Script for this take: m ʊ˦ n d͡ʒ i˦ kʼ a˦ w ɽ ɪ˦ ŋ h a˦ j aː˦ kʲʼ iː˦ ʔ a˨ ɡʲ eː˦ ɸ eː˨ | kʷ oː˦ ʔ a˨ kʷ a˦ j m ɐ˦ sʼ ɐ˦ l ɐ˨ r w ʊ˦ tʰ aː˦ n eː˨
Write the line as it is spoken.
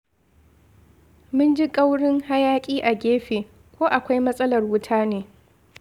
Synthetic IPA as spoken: m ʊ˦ n d͡ʒ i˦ kʼ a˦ w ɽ ɪ˦ ŋ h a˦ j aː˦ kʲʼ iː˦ ʔ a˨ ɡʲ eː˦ ɸ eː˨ | kʷ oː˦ ʔ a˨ kʷ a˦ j m ɐ˦ sʼ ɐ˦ l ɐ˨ r w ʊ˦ tʰ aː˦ n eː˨